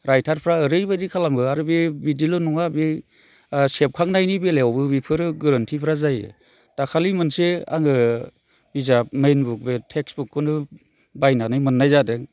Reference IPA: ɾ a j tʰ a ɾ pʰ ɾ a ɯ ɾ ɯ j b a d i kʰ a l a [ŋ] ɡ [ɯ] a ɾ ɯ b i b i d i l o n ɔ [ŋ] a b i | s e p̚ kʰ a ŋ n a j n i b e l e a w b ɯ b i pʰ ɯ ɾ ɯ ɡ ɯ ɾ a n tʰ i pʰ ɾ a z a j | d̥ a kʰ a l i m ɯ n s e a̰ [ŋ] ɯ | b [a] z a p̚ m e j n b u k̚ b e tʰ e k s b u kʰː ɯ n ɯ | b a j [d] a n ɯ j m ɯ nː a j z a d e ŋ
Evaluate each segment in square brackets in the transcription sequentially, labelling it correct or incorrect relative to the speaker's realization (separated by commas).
incorrect, correct, correct, correct, incorrect, incorrect